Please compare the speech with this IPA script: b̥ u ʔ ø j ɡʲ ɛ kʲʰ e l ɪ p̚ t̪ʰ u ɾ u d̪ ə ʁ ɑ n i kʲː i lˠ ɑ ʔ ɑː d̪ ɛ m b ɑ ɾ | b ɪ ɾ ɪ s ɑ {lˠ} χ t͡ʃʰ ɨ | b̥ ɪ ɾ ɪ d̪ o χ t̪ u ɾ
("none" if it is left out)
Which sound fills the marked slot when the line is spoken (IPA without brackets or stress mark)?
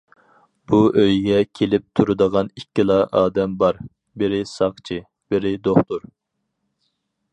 none